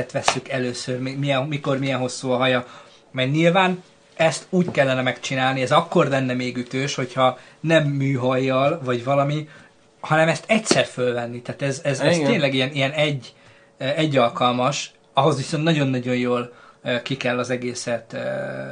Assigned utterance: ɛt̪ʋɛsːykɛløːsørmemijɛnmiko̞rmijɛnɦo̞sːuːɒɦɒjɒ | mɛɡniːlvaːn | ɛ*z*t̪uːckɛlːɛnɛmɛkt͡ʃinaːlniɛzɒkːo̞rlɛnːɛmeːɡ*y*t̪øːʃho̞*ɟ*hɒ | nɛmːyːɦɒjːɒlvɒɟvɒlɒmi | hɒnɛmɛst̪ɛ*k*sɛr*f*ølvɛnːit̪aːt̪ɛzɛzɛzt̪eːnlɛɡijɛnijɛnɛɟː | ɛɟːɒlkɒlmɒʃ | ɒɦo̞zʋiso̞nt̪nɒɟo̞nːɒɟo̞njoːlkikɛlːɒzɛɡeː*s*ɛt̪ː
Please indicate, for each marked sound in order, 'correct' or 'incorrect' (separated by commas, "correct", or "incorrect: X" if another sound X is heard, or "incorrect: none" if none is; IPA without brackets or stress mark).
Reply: incorrect: s, correct, incorrect: c, incorrect: c, correct, correct